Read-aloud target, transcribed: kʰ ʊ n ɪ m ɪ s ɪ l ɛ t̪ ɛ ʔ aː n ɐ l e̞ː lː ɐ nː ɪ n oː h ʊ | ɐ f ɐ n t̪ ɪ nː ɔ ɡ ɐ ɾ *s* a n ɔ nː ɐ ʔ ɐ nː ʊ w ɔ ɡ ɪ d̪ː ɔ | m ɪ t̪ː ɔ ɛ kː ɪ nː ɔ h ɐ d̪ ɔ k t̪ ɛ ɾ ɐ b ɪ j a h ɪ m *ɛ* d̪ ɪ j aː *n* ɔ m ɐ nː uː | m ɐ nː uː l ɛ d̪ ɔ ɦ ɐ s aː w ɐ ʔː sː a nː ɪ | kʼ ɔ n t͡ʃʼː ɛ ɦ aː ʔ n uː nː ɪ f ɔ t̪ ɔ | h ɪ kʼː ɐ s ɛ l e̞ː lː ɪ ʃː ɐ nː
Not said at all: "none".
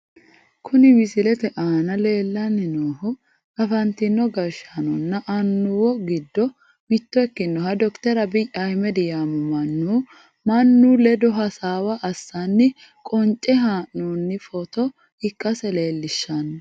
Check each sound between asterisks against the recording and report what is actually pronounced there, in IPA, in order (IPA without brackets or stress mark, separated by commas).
ʃ, ɛ, m